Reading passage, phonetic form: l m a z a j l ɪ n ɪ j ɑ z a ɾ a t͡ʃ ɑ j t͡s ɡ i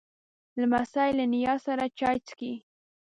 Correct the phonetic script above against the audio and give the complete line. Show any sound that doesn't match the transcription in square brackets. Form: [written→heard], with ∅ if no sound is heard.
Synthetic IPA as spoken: l m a [z→s] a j l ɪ n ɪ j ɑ [z→s] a ɾ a t͡ʃ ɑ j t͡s [ɡ→k] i